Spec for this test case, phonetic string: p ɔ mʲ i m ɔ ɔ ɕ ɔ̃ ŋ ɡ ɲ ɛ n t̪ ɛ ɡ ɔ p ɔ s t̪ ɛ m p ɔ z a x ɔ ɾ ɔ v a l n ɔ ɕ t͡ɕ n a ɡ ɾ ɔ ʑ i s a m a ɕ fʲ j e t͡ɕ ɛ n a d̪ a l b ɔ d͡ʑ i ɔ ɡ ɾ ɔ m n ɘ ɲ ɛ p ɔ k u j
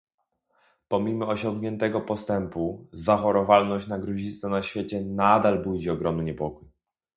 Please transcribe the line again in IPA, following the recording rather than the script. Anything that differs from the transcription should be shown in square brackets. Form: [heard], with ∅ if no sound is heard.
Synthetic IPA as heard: p ɔ mʲ i m ɔ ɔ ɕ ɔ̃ ŋ ɡ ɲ ɛ n t̪ ɛ ɡ ɔ p ɔ s t̪ ɛ m p [u] z a x ɔ ɾ ɔ v a l n ɔ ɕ t͡ɕ n a ɡ ɾ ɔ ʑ i s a [n] a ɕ fʲ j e t͡ɕ ɛ n a d̪ a l b [u] d͡ʑ i ɔ ɡ ɾ ɔ m n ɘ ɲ ɛ p ɔ k u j